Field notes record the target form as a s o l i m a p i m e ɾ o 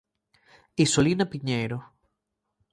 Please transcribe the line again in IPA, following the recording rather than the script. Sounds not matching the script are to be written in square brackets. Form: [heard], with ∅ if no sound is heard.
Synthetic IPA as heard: [i] s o l i [n] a p i [ɲ] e ɾ o